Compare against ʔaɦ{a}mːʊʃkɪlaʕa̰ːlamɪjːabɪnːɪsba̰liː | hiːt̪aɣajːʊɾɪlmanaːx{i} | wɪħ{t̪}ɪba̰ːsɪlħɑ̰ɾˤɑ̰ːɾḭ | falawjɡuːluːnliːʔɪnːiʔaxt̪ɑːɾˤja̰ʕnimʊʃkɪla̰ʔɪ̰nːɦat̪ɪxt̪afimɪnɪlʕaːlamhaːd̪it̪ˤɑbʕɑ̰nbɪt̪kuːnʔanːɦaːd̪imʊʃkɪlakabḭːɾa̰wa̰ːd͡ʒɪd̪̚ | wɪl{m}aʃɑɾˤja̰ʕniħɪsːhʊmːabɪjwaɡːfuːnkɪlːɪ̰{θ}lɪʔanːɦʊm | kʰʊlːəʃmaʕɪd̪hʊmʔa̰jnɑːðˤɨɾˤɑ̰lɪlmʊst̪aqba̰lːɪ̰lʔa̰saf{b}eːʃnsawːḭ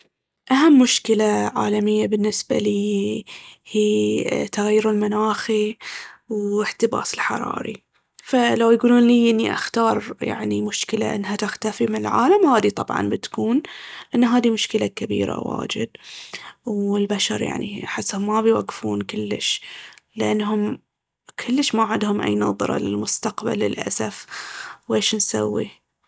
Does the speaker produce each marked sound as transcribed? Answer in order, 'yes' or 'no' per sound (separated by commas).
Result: yes, yes, yes, no, no, no